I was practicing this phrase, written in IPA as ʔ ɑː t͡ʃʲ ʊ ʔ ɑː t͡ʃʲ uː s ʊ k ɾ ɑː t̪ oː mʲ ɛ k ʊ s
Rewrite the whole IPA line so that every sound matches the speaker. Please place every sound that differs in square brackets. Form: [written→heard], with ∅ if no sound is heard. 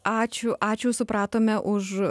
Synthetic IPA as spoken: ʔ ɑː t͡ʃʲ ʊ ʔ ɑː t͡ʃʲ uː s ʊ [k→p] ɾ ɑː t̪ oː mʲ ɛ [k→ʔ] ʊ [s→ʃ]